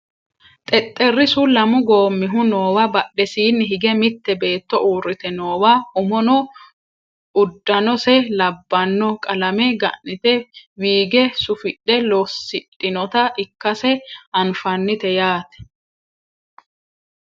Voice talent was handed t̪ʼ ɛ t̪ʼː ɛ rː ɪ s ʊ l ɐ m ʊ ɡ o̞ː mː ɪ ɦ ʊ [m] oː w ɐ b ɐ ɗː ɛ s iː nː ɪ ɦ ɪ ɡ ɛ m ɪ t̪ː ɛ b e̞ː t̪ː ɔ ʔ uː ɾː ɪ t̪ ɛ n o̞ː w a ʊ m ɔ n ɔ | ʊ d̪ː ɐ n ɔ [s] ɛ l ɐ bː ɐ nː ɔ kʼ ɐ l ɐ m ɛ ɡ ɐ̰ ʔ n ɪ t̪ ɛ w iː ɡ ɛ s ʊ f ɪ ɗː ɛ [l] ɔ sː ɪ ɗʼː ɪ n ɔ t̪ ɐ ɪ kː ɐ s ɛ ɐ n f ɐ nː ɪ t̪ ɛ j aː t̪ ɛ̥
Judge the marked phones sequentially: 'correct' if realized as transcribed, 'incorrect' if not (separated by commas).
incorrect, correct, correct